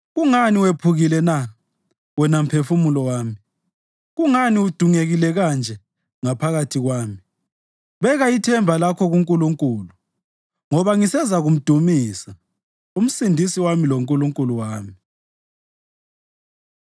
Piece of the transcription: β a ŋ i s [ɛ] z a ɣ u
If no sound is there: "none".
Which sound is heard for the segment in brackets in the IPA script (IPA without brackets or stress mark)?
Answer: ɛ